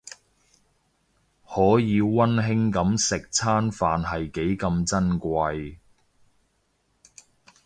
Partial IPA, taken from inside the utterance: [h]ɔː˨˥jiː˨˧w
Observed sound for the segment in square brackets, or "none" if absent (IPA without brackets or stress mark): h